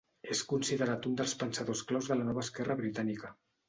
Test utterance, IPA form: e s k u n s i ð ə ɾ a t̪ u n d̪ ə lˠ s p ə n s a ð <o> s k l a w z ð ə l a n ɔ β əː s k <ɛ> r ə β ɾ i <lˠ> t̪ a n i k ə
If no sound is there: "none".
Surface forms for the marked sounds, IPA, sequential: o, ɛ, none

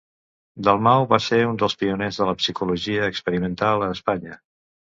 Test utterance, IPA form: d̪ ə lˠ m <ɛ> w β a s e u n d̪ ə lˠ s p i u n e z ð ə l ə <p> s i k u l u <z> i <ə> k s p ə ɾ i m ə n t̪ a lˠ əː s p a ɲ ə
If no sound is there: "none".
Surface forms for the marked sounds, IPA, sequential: a, p, ʒ, əː

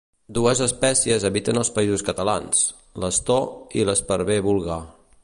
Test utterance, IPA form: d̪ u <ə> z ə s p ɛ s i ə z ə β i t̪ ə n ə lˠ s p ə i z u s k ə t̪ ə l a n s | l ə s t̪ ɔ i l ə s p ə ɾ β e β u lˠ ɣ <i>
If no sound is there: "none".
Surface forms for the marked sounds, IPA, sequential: ə, a

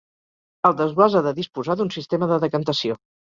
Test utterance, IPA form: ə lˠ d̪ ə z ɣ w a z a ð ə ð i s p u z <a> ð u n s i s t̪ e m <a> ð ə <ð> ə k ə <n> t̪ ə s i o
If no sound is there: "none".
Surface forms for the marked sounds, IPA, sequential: a, ə, ð, n

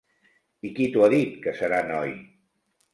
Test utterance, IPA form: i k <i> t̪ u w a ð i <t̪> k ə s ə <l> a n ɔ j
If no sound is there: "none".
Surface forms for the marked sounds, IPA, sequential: i, t̪, ɾ

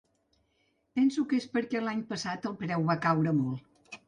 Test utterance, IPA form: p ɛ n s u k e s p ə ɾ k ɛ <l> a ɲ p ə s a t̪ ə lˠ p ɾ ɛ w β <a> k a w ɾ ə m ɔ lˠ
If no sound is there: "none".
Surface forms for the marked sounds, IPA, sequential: l, a

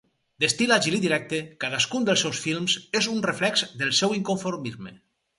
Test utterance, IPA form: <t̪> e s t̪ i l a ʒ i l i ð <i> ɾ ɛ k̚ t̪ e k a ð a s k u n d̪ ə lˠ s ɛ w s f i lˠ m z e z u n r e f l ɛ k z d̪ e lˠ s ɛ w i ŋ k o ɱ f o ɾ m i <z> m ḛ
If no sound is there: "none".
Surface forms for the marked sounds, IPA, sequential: d̪, i, z

